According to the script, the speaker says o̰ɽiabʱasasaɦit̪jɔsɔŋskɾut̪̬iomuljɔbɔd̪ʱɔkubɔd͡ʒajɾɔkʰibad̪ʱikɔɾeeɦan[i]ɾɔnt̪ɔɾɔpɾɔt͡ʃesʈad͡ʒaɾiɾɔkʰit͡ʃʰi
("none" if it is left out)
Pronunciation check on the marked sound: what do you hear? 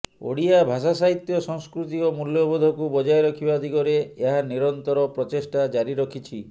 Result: i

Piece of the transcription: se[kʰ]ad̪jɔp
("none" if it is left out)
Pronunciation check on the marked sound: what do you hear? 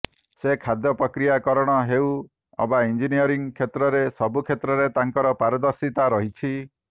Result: kʰ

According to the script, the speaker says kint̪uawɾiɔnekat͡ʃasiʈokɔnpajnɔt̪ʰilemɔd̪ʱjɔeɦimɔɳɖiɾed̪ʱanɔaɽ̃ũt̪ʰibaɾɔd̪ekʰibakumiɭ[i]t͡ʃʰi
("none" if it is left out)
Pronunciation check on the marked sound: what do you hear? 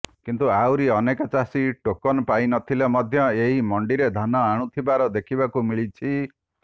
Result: i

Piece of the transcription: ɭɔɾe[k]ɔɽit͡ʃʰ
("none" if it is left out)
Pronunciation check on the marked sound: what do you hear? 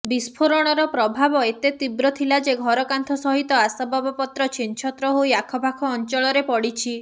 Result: p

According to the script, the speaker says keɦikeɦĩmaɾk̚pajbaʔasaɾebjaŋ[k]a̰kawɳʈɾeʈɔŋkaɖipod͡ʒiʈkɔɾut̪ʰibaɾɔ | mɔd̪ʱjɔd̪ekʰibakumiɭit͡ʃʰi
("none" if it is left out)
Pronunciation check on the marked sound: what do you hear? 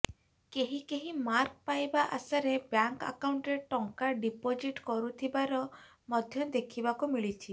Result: k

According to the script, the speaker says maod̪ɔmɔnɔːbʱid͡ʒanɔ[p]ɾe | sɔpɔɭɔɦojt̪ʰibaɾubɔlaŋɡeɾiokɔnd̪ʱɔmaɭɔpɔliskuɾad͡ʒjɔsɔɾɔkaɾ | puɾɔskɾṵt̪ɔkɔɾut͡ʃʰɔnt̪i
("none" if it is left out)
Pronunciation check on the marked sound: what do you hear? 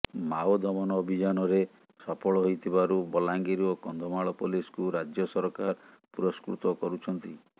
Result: none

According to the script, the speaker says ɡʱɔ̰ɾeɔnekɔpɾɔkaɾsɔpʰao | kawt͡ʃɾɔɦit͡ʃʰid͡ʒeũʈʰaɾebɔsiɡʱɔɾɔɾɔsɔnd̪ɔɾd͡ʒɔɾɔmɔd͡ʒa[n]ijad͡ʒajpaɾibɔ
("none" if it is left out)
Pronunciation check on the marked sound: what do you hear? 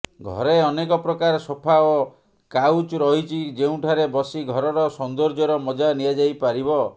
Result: n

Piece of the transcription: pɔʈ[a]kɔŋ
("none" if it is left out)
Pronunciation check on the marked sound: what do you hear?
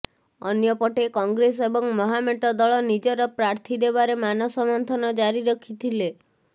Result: e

